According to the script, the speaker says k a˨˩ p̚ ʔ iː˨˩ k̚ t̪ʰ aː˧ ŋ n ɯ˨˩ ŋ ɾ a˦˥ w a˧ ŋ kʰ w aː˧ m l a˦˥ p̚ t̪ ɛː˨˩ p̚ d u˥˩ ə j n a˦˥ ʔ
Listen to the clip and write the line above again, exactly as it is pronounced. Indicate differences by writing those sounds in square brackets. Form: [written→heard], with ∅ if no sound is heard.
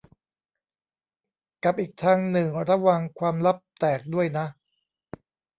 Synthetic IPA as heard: k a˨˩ p̚ ʔ iː˨˩ k̚ t̪ʰ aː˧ ŋ n ɯ˨˩ ŋ ɾ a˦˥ w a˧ ŋ kʰ w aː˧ m l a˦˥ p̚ t̪ ɛː˨˩ [p̚→k̚] d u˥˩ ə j n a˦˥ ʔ

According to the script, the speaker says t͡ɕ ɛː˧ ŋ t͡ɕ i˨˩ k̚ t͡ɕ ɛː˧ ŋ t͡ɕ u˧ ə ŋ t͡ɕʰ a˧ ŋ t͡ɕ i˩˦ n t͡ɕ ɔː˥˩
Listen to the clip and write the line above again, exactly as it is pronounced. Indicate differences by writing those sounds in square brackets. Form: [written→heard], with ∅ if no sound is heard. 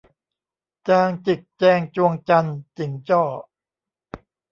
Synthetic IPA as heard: t͡ɕ [ɛː˧→aː˧] ŋ t͡ɕ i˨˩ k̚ t͡ɕ ɛː˧ ŋ t͡ɕ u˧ ə ŋ [t͡ɕʰ→t͡ɕ] a˧ [ŋ→n] t͡ɕ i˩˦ [n→ŋ] t͡ɕ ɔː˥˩

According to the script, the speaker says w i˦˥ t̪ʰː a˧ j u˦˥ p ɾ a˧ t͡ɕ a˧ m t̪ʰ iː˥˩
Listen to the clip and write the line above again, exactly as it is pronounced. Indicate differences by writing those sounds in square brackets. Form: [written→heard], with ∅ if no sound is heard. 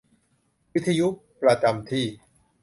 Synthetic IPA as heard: w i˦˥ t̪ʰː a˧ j u˦˥ p ɾ a˧ t͡ɕ a˧ m t̪ʰ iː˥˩

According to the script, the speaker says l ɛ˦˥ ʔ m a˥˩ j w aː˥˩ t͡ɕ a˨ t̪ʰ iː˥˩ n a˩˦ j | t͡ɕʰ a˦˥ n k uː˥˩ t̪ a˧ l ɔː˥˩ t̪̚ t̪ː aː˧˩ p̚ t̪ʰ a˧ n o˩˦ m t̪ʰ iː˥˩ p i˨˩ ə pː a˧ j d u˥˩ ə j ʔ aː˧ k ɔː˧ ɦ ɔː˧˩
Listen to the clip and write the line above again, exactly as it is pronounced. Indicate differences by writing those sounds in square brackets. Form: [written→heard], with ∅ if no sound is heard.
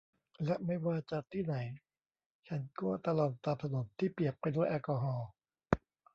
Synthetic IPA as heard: l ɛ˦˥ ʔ m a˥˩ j w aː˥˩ t͡ɕ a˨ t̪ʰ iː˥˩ n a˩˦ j | t͡ɕʰ a˦˥ n k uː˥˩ t̪ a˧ l [ɔː˥˩→ɔː˨˩] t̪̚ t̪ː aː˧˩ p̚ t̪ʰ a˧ n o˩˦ m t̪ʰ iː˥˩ p i˨˩ ə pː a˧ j d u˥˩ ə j ʔ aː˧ k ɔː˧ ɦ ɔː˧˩

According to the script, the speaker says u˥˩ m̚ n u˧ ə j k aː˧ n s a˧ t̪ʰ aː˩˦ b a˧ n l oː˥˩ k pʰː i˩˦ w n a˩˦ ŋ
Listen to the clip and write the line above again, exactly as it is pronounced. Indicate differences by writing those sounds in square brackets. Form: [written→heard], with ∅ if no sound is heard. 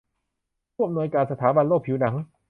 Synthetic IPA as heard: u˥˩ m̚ n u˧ ə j k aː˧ n s a˧ t̪ʰ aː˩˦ b a˧ n l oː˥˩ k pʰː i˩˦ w n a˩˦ ŋ

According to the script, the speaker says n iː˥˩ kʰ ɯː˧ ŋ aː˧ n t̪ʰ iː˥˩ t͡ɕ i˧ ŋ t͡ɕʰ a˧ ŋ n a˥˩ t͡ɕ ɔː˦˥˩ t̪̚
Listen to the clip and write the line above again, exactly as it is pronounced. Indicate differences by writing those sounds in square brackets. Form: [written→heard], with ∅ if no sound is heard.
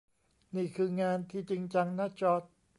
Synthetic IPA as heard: n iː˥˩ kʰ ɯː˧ ŋ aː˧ n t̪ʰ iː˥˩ t͡ɕ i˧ ŋ [t͡ɕʰ→t͡ɕ] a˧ ŋ n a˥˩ t͡ɕ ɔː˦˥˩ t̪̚

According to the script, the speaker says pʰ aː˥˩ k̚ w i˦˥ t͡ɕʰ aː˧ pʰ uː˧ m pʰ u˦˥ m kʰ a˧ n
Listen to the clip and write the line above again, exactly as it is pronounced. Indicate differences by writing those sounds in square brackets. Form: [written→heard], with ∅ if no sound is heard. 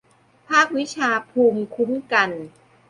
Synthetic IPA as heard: pʰ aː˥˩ k̚ w i˦˥ t͡ɕʰ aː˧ pʰ uː˧ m [pʰ→kʰ] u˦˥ m [kʰ→k] a˧ n

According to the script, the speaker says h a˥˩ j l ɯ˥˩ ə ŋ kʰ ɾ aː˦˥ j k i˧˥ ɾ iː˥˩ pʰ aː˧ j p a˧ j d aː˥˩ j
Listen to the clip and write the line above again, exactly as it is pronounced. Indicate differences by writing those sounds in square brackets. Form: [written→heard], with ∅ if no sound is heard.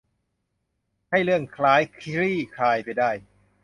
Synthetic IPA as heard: h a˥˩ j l ɯ˥˩ ə ŋ kʰ [ɾ→l] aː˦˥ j [k→kʰ] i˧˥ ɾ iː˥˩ [pʰ→kʰ] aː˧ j p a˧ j d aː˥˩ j

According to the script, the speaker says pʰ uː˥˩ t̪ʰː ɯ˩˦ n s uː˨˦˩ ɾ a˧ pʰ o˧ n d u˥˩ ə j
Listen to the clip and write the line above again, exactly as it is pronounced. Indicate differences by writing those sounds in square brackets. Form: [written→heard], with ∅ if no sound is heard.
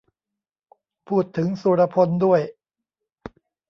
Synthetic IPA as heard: pʰ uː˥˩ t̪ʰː ɯ˩˦ [n→ŋ] s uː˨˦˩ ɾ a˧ pʰ o˧ n d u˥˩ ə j

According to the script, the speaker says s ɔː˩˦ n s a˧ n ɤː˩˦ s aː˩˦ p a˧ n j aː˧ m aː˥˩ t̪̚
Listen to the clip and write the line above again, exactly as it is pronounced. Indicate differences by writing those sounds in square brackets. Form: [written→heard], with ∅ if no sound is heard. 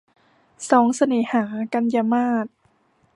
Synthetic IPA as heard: s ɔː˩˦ [n→ŋ] s a˧ n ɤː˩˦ [s→h] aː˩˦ [p→k] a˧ n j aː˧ m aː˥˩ t̪̚

